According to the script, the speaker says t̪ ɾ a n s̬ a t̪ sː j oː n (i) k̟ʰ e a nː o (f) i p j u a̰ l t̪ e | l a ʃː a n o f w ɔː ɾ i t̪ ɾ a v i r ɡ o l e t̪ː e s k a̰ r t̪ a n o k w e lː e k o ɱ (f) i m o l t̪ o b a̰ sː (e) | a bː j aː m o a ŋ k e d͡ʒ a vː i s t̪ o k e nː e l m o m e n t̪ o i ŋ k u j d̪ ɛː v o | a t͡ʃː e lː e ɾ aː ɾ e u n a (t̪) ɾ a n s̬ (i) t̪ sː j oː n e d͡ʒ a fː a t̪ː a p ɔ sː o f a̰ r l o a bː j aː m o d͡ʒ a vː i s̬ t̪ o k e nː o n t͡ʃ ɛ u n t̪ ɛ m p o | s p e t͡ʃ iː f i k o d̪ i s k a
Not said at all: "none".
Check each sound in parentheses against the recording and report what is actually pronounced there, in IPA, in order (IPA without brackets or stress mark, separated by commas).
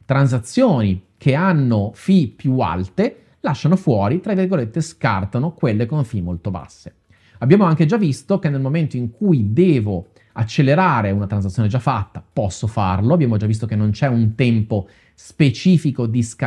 i, f, f, e, t̪, a